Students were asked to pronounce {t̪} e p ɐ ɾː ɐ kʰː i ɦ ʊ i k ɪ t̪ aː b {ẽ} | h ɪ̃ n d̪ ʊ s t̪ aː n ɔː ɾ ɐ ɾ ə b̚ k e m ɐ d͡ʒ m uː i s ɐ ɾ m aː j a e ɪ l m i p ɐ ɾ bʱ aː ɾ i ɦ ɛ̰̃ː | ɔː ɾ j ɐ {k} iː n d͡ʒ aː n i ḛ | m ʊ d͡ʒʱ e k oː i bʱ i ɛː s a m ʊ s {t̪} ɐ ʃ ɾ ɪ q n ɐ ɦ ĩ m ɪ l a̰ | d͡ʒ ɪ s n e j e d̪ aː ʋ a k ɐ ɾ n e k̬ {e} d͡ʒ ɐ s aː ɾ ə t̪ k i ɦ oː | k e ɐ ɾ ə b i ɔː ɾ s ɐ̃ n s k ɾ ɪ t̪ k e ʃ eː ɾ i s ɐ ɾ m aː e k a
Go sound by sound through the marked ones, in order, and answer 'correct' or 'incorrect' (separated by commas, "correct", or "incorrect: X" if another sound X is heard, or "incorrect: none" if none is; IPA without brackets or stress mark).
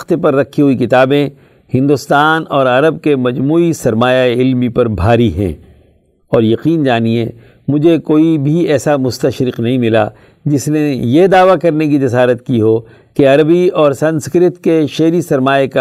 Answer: correct, correct, incorrect: q, correct, incorrect: i